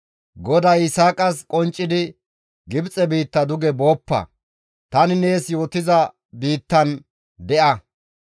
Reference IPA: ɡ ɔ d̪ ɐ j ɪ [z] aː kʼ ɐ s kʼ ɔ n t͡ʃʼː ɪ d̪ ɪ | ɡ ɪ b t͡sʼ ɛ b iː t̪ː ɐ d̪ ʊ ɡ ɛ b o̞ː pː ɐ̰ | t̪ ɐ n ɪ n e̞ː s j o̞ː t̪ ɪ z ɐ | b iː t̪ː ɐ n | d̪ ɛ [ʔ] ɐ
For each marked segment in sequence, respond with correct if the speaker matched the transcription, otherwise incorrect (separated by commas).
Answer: incorrect, correct